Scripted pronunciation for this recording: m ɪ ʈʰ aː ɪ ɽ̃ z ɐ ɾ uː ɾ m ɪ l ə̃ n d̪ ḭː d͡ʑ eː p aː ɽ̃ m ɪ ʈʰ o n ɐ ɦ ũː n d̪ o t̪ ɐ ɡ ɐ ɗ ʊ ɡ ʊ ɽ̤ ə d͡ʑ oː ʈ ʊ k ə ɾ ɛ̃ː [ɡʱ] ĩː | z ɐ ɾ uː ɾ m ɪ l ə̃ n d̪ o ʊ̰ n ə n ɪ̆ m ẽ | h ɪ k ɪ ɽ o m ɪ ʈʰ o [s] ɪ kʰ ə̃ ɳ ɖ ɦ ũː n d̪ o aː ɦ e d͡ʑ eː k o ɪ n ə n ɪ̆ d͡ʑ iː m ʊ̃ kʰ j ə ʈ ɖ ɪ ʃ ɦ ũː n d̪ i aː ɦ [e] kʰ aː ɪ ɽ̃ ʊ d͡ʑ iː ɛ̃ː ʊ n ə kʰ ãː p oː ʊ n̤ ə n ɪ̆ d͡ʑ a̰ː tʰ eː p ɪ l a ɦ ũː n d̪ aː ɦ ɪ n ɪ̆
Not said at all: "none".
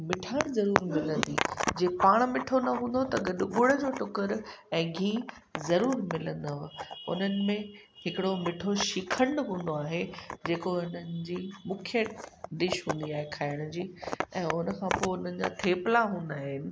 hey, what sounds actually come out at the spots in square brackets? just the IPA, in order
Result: ɡʱ, ʃ, e

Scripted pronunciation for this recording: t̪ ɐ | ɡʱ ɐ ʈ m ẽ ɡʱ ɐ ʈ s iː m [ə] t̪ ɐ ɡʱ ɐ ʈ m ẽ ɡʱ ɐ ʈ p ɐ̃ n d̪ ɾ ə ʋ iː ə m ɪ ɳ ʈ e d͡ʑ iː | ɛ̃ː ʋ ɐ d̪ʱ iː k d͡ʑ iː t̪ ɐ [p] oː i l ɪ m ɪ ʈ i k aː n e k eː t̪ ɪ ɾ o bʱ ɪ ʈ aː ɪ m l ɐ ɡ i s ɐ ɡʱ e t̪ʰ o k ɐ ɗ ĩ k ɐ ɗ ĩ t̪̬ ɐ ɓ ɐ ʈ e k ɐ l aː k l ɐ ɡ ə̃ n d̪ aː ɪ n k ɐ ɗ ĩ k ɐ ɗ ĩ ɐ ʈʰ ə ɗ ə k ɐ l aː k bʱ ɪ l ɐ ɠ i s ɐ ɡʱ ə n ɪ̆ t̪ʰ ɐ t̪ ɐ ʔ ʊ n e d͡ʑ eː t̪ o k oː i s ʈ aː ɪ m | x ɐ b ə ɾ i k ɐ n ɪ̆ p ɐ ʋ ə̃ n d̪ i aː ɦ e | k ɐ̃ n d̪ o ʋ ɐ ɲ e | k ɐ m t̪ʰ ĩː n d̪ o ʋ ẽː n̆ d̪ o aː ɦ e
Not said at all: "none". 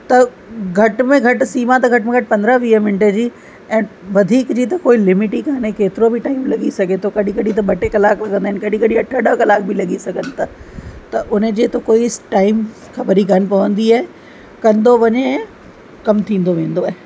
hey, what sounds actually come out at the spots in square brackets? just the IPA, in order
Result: a, k

